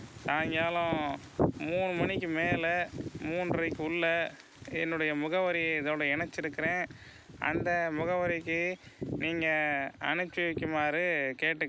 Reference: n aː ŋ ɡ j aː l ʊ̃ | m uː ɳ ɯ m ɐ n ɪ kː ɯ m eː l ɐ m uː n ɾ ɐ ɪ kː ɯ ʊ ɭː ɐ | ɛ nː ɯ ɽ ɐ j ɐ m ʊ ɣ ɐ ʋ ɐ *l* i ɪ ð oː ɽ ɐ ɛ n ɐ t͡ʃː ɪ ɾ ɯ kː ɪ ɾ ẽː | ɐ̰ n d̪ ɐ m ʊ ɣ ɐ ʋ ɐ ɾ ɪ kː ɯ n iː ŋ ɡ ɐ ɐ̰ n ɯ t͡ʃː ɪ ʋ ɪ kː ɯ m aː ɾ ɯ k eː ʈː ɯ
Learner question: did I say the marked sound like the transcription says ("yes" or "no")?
no